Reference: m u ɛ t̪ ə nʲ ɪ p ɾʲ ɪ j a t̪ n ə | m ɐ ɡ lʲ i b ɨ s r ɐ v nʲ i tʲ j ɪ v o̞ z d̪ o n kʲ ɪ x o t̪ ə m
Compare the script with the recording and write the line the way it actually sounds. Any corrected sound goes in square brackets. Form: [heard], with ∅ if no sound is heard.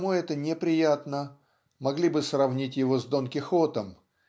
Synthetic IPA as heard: m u ɛ t̪ ə nʲ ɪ p ɾʲ ɪ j a t̪ n ə | m ɐ ɡ lʲ i b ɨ s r ɐ v nʲ i tʲ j ɪ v o̞ z d̪ o n kʲ ɪ x o t̪ ə m